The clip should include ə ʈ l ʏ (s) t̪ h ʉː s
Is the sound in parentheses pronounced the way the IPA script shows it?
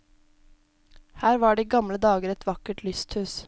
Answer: yes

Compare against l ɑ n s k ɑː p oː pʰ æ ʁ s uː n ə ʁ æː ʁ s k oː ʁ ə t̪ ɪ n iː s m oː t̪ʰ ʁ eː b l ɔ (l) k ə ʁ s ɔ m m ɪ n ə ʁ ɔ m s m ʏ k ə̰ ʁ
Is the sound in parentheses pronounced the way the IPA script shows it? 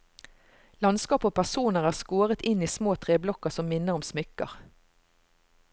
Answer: no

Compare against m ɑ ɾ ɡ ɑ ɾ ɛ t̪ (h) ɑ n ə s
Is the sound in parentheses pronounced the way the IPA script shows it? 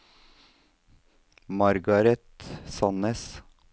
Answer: no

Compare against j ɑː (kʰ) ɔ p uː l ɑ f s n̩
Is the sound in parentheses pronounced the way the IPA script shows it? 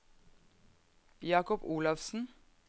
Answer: no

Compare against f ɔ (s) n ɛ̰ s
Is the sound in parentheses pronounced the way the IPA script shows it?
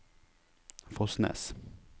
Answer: yes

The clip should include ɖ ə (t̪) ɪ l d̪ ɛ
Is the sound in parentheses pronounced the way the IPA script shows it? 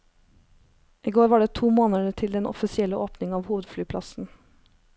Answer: no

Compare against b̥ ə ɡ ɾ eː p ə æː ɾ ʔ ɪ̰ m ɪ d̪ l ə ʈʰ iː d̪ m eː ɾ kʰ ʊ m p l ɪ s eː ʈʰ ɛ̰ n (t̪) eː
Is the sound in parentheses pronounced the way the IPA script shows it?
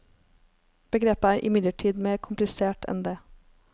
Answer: no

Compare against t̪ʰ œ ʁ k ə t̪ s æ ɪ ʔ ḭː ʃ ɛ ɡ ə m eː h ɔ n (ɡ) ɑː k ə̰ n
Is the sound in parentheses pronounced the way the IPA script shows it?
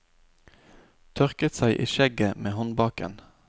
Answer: no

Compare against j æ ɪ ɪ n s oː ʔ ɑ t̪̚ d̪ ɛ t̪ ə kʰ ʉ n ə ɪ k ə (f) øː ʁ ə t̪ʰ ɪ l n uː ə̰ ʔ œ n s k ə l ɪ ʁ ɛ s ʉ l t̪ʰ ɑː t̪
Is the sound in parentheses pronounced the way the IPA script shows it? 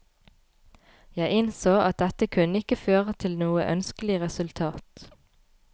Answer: yes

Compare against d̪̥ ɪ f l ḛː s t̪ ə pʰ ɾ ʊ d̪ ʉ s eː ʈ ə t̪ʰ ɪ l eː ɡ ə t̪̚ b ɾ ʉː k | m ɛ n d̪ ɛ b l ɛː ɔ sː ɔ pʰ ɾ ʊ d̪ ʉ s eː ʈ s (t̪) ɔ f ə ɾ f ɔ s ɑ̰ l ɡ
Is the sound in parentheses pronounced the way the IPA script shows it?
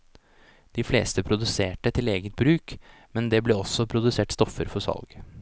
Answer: yes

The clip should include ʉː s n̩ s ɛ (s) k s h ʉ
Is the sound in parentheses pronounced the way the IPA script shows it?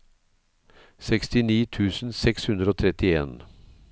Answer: no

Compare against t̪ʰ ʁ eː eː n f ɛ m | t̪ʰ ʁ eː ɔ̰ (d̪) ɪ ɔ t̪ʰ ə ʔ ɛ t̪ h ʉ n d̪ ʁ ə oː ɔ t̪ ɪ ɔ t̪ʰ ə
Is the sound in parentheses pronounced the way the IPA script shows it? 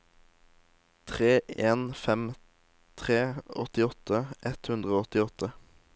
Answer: no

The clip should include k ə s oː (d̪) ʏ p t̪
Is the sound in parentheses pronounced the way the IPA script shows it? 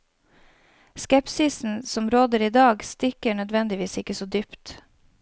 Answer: yes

